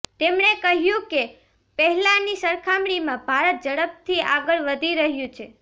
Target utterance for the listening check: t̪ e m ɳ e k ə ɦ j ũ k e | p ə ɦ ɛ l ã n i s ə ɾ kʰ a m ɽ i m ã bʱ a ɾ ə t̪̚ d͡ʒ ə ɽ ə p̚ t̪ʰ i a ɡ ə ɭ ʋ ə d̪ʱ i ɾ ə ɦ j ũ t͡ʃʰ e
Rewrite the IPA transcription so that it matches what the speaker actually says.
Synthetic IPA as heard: t̪ e m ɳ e k ə ɦ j ũ k e | p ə ɦ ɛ l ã n i s ə ɾ kʰ a m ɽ i m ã bʱ a ɾ ə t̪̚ d͡ʒ ə ɽ ə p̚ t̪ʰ i a ɡ ə ɭ ʋ ə d̪ʱ i ɾ ə ɦ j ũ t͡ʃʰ e